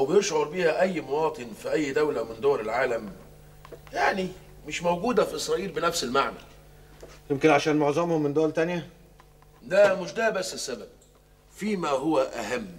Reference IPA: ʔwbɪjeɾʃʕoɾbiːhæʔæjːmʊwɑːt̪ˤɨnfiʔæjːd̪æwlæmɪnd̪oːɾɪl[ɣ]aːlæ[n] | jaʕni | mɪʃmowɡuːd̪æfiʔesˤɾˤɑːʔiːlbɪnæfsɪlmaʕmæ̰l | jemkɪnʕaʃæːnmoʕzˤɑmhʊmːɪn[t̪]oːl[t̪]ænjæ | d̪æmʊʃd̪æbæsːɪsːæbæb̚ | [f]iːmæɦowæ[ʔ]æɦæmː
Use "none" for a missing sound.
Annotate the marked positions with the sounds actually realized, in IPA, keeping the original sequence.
ʕ, m, d̪, t̪, f, ʔ

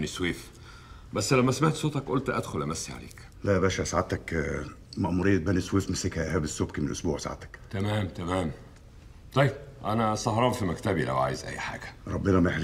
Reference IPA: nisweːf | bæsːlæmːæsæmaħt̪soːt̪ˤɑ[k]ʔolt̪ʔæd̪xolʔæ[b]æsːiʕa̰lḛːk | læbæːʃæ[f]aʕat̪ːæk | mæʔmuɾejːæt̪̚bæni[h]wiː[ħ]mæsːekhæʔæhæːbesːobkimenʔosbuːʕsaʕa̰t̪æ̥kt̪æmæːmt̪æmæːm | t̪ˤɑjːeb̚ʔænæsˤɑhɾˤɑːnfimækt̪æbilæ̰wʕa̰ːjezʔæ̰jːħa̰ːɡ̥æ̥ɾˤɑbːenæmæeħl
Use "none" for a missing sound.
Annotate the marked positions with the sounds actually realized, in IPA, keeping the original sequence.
k, m, s, s, f

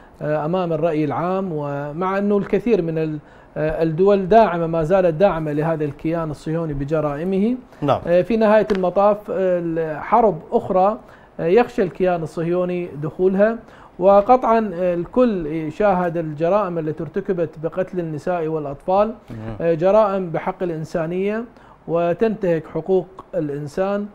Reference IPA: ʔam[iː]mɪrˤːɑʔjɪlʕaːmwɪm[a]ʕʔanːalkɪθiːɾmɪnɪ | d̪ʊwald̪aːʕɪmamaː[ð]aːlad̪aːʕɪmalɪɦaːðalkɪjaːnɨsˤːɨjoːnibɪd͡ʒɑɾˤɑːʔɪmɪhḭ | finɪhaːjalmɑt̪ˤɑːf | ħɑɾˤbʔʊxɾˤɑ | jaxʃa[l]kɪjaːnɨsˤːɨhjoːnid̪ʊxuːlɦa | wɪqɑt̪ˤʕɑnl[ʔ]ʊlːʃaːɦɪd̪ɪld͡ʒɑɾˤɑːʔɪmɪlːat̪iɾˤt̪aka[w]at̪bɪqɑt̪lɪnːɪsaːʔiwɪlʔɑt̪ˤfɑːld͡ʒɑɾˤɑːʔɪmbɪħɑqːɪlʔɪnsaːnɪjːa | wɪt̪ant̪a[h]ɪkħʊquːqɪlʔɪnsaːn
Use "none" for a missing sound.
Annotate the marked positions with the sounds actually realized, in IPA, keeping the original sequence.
aː, a, z, l, k, b, h

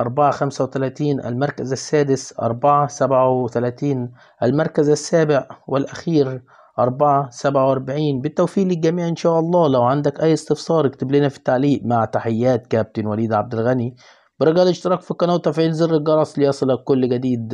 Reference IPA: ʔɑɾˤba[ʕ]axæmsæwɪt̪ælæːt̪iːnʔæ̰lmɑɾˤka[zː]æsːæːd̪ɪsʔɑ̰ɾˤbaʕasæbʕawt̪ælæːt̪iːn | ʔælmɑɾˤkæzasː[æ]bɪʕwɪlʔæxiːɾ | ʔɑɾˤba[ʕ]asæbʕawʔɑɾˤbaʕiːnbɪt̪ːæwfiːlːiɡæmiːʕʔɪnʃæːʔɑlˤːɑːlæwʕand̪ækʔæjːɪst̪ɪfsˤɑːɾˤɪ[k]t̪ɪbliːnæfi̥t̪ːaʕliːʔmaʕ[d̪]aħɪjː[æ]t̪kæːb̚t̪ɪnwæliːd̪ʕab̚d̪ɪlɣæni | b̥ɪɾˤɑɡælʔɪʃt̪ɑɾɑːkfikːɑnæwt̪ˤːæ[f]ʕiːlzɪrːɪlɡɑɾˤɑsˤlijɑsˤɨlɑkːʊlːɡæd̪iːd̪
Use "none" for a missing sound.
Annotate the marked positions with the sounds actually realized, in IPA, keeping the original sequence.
ʕ, z, æː, ʕ, k, t̪, æː, f

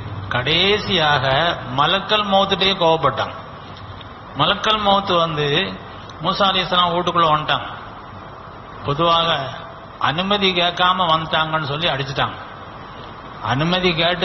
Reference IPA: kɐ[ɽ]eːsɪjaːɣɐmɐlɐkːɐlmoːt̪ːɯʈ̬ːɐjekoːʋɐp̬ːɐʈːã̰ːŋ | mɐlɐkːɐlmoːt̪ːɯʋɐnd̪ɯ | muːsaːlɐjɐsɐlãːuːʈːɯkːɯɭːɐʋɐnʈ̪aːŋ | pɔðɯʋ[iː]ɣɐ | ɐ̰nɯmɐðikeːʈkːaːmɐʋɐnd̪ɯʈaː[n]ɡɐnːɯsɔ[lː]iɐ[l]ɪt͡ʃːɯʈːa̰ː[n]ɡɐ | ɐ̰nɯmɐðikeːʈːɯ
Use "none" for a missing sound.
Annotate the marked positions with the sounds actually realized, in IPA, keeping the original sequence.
ɽ, aː, ŋ, lː, ɽ, ŋ

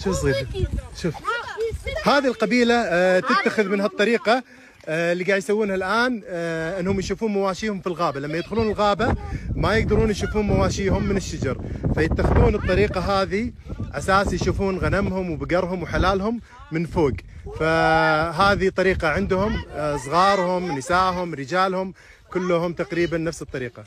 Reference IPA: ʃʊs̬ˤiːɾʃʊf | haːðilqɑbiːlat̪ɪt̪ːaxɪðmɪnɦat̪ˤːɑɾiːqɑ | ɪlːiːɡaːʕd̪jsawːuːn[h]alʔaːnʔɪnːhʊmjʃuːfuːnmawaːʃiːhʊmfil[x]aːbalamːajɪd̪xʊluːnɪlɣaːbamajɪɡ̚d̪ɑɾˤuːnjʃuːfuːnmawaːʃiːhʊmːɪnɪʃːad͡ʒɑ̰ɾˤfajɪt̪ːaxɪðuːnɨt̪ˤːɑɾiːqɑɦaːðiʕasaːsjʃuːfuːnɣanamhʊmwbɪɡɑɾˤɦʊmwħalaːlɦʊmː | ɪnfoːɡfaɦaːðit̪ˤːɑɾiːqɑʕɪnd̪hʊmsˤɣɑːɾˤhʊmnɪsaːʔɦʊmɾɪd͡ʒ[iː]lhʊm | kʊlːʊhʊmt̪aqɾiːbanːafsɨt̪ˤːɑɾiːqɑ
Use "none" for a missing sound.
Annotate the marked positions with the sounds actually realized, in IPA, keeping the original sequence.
h, ɣ, aː

